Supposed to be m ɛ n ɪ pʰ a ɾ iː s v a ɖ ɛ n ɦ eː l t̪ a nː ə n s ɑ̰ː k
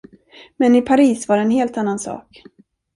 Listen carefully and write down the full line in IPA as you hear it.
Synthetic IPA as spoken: m ɛ n ɪ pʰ a ɾ iː s v a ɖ ɛ n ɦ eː l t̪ a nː a n s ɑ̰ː k